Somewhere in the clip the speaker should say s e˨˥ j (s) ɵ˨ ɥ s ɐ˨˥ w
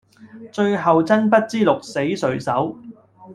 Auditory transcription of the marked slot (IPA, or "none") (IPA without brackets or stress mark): s